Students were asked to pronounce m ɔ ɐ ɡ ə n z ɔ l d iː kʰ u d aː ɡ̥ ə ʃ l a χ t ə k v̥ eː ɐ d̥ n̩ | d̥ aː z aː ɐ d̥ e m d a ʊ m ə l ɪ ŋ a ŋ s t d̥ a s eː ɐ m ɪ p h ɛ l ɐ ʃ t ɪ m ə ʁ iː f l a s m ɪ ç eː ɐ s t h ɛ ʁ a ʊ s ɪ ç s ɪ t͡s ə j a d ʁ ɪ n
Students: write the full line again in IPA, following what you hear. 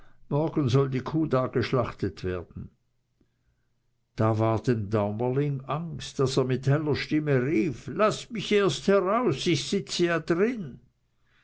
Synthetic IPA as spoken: m ɔ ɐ ɡ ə n z ɔ l d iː kʰ uː d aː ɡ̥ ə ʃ l a χ t ə t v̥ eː ɐ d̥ n̩ | d̥ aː v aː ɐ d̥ e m d a ʊ m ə l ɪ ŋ a ŋ s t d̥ a s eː ɐ m ɪ t h ɛ l ɐ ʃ t ɪ m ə ʁ iː f l a s m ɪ ç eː ɐ s t h ɛ ʁ a ʊ s ɪ ç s ɪ t͡s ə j a d ʁ ɪ n